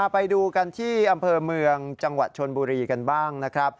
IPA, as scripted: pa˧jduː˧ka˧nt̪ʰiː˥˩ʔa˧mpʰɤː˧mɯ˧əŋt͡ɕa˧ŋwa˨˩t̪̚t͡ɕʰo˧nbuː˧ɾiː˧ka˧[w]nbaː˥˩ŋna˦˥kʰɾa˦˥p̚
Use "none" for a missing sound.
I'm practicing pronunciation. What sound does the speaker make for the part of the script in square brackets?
none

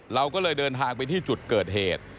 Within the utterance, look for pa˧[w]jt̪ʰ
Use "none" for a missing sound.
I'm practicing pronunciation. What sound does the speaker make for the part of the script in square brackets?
none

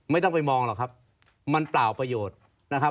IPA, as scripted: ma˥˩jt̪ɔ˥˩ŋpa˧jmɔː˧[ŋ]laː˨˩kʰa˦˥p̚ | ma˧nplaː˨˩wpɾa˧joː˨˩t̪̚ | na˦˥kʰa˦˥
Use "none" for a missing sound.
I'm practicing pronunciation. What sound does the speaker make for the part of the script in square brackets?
ŋ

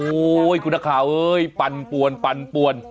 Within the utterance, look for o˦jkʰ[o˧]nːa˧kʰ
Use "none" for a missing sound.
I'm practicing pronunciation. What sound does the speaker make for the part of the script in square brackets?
u˧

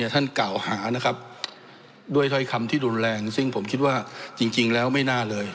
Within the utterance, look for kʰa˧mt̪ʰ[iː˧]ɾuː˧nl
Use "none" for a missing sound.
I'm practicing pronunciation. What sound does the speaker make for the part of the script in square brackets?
iː˥˩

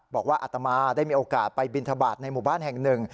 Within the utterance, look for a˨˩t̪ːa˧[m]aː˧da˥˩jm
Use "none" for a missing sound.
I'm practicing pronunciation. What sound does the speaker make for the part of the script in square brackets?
m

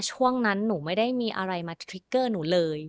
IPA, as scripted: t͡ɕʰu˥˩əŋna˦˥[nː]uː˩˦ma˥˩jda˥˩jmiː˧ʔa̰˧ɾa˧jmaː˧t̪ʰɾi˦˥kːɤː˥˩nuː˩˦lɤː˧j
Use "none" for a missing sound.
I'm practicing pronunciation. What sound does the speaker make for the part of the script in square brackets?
nː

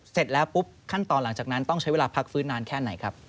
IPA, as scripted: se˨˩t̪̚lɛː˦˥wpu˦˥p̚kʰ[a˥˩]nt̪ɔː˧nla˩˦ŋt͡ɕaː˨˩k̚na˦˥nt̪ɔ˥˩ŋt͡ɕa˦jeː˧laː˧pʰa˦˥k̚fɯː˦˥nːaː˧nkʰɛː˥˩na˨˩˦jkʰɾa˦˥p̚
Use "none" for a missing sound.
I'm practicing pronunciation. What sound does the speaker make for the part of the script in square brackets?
a˥˩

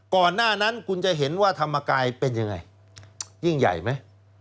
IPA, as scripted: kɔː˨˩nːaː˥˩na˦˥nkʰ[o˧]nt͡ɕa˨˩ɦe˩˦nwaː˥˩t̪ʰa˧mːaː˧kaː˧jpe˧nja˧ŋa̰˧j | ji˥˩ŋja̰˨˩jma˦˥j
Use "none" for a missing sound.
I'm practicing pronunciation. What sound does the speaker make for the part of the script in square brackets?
u˧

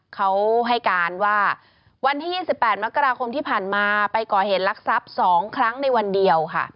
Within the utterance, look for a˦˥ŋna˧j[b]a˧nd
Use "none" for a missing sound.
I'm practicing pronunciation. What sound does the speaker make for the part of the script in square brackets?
w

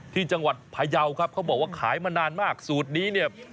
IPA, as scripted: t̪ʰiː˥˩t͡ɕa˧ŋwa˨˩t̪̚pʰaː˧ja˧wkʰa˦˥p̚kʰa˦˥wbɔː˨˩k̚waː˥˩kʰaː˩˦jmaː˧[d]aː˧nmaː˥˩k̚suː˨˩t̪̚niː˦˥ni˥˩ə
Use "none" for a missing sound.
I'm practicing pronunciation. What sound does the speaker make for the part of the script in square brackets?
n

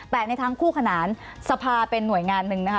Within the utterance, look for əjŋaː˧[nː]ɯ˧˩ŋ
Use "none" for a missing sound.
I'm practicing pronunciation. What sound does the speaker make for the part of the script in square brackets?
nː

